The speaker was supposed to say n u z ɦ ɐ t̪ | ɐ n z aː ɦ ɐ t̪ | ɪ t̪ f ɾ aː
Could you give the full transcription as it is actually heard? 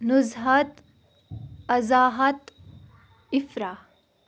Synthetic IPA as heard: n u z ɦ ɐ t̪ | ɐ z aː ɦ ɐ t̪ | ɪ f ɾ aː